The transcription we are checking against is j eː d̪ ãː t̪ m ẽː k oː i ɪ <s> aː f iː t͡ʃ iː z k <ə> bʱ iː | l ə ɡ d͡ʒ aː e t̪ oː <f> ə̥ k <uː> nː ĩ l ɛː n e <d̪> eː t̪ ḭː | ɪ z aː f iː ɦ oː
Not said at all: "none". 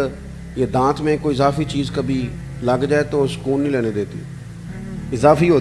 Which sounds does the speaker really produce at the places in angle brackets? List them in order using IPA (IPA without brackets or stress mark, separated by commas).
z, ə, s, uː, d̪